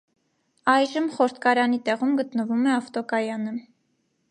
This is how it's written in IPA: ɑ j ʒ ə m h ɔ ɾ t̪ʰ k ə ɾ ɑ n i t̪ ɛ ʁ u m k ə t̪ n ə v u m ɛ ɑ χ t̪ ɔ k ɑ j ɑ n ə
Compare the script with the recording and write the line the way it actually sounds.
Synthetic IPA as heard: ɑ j ʒ ə m χ ɔ ɾ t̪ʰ k ɑ ɾ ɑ n i t̪ ɛ ʁ u m ɡ ə t̪ n ə v u m ɛ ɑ f t̪ ɔ k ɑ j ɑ n ə

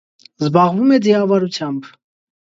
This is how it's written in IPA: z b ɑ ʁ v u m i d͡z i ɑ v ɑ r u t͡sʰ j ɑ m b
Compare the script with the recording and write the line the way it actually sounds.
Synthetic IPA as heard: z b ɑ ʁ v u m ɛ d͡z i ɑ v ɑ ɾ u t͡sʰ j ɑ m b

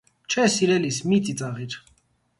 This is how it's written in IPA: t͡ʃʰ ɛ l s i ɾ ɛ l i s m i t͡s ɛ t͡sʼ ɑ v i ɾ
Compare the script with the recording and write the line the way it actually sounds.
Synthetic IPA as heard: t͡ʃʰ ɛ s i ɾ ɛ l i s m i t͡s i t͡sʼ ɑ ʁ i ɾ

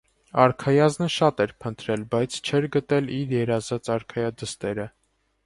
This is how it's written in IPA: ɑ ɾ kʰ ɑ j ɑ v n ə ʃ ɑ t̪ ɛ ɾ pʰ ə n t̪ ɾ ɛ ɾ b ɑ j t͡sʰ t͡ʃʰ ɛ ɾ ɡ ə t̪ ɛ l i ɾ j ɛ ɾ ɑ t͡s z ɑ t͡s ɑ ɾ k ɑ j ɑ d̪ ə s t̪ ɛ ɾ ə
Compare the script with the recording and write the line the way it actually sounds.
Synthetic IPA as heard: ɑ ɾ kʰ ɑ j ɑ z n ə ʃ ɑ t̪ ɛ ɾ pʰ ə n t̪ ɾ ɛ l b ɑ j t͡sʰ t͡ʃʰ ɛ ɾ ɡ ə t̪ ɛ l i ɾ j ɛ ɾ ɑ z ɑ t͡s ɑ ɾ kʰ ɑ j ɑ d̪ ə s t̪ ɛ ɾ ə

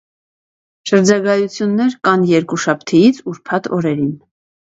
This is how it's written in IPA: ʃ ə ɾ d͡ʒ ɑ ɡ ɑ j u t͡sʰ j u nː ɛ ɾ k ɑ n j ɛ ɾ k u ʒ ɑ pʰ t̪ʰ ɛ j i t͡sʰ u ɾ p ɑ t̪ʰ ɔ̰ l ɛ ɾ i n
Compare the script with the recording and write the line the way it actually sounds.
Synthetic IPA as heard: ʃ ə ɾ d͡ʒ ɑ ɡ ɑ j u t͡sʰ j u nː ɛ ɾ k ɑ n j ɛ ɾ k u ʃ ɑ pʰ t̪ʰ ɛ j i t͡sʰ u ɾ pʰ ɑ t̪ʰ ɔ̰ ɾ ɛ ɾ i n

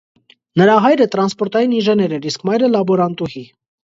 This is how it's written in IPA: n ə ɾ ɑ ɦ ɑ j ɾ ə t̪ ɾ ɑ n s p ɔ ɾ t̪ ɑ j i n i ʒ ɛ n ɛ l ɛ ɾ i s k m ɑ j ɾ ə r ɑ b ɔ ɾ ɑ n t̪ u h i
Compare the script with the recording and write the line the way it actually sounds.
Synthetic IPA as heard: n ə ɾ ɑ ɦ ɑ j ɾ ə t̪ ɾ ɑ n s p ɔ ɾ t̪ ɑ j i n i ʒ ɛ n ɛ ɾ ɛ ɾ i s k m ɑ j ɾ ə l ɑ b ɔ ɾ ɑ n t̪ u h i

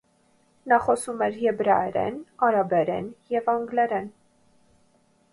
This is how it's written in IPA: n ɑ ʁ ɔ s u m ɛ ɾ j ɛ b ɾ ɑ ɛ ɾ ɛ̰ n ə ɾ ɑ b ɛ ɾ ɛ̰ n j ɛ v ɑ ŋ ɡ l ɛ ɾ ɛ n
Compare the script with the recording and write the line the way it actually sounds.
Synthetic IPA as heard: n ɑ χ ɔ s u m ɛ ɾ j ɛ b ɾ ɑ ɛ ɾ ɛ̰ n ɑ ɾ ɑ b ɛ ɾ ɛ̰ n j ɛ v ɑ ŋ ɡ l ɛ ɾ ɛ n

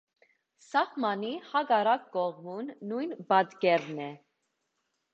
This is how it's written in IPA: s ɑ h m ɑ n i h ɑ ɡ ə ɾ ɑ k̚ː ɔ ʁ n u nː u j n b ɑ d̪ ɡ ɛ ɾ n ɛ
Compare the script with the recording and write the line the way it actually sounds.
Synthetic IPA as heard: s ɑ h m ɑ n i h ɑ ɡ ɑ ɾ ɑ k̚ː ɔ ʁ m u nː u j n b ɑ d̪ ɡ ɛ ɾ n ɛ

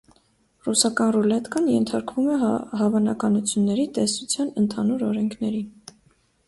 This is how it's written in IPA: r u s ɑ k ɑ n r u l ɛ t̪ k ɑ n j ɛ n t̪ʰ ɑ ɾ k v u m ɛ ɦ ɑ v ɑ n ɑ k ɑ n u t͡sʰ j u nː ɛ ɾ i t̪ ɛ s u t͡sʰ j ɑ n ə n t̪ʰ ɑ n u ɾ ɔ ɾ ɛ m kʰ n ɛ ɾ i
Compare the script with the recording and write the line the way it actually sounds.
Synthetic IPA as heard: r u s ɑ k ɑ n r u l ɛ t̪ k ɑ n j ɛ n t̪ʰ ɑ ɾ k v u m ɛ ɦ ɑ v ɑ n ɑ k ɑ n u t͡sʰ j u nː ɛ ɾ i t̪ ɛ s u t͡sʰ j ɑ n ə n t̪ʰ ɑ n u ɾ ɔ ɾ ɛ ŋ kʰ n ɛ ɾ i

